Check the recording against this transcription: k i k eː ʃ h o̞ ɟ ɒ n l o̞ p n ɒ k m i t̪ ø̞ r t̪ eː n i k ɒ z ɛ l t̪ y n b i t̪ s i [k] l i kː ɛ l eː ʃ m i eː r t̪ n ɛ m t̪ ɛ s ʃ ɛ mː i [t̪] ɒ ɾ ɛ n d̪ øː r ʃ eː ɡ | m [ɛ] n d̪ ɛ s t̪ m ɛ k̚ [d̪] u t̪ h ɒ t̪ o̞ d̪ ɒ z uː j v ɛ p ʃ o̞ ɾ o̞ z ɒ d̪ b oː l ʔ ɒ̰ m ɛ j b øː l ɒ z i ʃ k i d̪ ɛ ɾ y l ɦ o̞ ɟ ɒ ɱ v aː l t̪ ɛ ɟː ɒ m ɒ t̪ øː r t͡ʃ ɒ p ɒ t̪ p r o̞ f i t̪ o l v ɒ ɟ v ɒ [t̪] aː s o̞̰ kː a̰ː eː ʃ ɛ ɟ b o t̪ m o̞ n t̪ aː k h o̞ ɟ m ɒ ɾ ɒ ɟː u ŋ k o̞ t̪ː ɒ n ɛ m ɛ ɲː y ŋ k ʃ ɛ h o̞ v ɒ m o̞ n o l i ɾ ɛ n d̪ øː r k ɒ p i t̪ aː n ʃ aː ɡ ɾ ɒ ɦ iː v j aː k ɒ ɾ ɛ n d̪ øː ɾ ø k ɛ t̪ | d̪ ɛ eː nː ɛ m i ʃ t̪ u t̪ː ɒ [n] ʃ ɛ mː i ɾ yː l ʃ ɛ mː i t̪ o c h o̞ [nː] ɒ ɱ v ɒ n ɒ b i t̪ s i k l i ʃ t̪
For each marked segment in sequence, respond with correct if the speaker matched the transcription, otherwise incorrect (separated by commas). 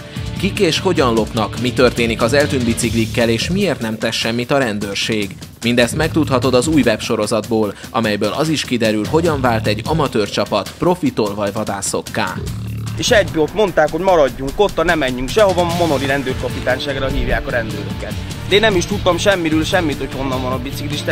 correct, correct, incorrect, incorrect, incorrect, incorrect, correct